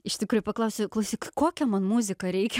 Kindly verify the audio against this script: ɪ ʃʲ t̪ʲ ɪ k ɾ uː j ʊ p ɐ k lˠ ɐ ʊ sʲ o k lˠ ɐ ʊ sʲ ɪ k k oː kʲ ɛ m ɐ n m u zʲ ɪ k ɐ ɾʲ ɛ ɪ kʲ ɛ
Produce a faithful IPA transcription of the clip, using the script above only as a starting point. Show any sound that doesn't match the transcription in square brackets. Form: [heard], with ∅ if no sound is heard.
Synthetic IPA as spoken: ɪ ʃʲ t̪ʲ ɪ k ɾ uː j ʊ p ɐ k lˠ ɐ ʊ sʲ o k lˠ ɐ ʊ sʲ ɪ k k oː kʲ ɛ m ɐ n m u zʲ ɪ k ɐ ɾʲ ɛ ɪ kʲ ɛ